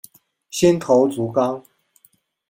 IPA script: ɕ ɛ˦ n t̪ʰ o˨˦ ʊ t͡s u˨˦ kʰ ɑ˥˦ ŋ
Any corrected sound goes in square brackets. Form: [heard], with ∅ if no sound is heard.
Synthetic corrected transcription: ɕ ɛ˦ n t̪ʰ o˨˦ ʊ t͡s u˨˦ [k] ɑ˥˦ ŋ